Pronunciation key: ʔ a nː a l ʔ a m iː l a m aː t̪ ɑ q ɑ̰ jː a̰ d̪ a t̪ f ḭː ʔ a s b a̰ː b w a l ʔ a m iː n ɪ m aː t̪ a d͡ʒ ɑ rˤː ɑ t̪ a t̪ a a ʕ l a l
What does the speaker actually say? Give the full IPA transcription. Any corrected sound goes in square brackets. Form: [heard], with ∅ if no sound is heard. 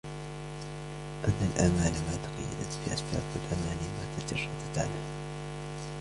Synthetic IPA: ʔ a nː a l ʔ a m [aː] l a m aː t̪ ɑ q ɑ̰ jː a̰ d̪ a t̪ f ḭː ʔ a s b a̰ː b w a l ʔ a m [aː] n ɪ m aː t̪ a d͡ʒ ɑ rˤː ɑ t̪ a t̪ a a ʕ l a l

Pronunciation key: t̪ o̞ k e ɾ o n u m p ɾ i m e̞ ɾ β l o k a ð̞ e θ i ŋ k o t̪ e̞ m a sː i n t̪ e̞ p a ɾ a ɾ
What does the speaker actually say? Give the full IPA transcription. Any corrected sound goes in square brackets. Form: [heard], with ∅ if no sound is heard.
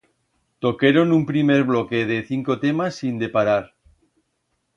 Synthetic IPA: t̪ o̞ k e ɾ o n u m p ɾ i m e̞ ɾ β l o k [e] ð̞ e θ i ŋ k o t̪ e̞ m a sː i n [d̪] e̞ p a ɾ a ɾ

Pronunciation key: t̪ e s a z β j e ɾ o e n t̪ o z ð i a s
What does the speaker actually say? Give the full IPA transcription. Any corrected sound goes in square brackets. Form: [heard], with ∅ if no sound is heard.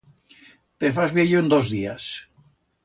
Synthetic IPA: t̪ e [f] a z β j e [ʎ] o e n [d̪] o z ð i a s

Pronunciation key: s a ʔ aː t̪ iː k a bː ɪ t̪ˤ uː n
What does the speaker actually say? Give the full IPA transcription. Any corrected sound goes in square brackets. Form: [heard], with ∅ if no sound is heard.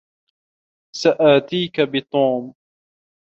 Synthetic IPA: s a ʔ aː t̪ iː k a [b] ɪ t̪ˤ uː [m]

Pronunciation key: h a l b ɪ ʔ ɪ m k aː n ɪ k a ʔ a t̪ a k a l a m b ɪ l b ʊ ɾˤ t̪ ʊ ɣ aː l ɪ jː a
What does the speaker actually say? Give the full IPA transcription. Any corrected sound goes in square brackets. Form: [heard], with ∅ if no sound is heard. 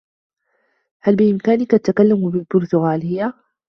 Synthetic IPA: h a l b ɪ ʔ ɪ m k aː n ɪ k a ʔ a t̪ a k a [lː] a m b ɪ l b ʊ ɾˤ t̪ ʊ ɣ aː l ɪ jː a

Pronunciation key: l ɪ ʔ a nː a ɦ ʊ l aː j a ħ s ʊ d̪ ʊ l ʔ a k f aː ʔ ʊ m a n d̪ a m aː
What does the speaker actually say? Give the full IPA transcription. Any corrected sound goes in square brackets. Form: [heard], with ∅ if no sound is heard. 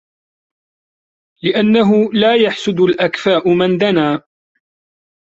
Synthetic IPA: l ɪ ʔ a nː a ɦ ʊ l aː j a ħ s ʊ d̪ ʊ l ʔ a k f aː ʔ ʊ m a n d̪ a [n] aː

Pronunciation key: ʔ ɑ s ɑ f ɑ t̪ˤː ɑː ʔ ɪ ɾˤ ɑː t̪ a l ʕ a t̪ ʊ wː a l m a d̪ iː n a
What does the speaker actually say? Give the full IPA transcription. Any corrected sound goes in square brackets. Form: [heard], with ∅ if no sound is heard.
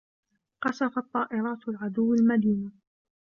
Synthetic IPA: [q] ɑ s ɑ f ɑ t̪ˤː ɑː ʔ ɪ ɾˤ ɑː t̪ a l ʕ a [d̪] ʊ wː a l m a d̪ iː n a

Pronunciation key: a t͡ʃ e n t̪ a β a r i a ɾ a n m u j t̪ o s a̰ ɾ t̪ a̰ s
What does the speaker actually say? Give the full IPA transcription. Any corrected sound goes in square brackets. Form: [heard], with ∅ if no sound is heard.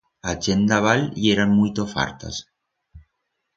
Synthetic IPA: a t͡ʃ e n [d̪] a β a [l] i [e] ɾ a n m u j t̪ o [f] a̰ ɾ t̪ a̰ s

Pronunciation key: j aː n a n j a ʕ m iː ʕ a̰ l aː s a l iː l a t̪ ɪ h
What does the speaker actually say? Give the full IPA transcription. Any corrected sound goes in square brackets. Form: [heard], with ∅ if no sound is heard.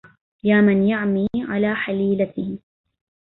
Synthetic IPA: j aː [m] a n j a ʕ m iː ʕ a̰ l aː [ħ] a l iː l a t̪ ɪ h

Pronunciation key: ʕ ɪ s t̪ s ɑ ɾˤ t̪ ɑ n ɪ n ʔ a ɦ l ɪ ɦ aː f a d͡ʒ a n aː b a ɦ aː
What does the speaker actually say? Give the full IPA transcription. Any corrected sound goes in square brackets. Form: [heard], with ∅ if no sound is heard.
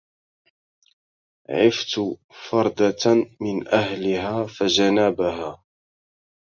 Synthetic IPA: ʕ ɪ [f] t̪ [f] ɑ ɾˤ [d̪] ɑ [m] ɪ n ʔ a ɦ l ɪ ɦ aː f a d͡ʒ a n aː b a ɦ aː

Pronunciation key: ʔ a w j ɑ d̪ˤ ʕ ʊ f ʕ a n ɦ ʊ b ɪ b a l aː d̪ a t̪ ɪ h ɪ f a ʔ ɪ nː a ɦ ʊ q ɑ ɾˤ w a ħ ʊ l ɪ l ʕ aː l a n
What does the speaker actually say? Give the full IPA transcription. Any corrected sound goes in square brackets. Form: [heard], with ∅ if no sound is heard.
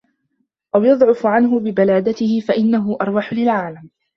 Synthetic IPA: ʔ a w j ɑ d̪ˤ ʕ ʊ f ʕ a n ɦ ʊ b ɪ b a l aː d̪ a t̪ ɪ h ɪ f a ʔ ɪ nː a ɦ ʊ [ʔ] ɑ ɾˤ w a ħ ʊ l ɪ l ʕ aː l a [m]

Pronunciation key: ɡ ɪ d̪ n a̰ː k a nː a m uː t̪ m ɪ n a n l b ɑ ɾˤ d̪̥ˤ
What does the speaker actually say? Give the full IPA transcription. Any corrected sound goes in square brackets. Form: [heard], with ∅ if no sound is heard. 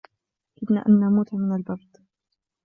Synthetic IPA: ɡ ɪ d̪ n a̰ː [ʔ] a nː a m uː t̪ m ɪ n a [∅] l b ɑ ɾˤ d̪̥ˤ

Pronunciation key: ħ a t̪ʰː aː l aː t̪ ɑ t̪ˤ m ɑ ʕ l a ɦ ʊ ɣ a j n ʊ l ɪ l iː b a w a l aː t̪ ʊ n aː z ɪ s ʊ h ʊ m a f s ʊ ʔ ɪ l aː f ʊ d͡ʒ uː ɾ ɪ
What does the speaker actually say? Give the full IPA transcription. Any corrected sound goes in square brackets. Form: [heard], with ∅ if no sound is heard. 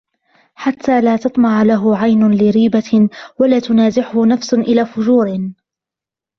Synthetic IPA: ħ a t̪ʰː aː l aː t̪ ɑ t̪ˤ m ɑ ʕ l a ɦ ʊ [ʕ] a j n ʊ l ɪ [ɾ] iː b a w a l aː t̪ ʊ n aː z ɪ [ħ] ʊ h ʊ [n] a f s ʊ ʔ ɪ l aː f ʊ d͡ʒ uː ɾ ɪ

